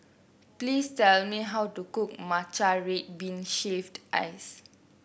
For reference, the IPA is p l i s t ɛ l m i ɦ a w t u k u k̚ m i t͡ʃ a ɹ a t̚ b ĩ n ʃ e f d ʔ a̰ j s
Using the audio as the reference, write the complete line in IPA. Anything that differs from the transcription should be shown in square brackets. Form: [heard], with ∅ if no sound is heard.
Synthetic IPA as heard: p l i s t ɛ l m i ɦ a w t u k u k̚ m [a] t͡ʃ a ɹ [e] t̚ b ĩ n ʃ e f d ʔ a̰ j s